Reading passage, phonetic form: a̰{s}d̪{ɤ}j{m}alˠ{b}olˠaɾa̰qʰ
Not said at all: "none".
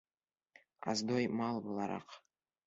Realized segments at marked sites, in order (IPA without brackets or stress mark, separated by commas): z, o, m, b